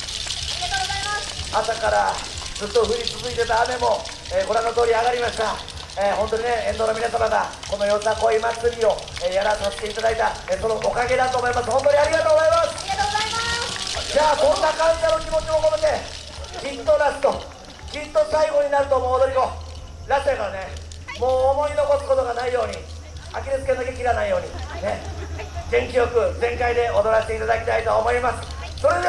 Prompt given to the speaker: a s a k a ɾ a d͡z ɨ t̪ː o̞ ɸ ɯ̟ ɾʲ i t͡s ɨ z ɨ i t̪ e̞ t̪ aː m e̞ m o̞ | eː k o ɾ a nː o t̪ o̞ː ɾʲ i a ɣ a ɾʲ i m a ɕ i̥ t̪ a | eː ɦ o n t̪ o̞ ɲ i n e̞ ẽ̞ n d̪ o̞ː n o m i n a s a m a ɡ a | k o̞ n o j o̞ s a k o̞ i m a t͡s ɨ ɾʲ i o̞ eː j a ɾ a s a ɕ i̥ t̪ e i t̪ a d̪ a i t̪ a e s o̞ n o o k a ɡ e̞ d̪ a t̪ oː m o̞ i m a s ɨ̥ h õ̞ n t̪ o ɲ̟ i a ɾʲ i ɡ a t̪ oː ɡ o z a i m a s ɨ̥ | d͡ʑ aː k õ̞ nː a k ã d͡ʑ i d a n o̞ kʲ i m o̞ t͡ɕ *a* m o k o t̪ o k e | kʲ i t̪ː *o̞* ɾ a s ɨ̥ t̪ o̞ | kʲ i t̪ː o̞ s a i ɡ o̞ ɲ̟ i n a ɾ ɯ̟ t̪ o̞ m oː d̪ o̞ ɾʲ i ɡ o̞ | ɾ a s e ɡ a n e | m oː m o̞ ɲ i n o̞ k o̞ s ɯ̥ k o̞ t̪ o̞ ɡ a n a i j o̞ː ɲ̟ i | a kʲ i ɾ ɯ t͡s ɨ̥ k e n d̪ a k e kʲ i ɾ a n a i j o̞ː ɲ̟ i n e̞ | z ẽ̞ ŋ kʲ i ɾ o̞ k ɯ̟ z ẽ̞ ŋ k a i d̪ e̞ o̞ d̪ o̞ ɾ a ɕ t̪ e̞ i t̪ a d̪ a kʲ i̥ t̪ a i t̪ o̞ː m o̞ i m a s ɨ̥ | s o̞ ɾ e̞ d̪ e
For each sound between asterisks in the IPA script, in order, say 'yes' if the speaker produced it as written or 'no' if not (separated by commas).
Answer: no, yes